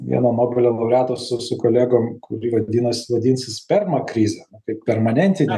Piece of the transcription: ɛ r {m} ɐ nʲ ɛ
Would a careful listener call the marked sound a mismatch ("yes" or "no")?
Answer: no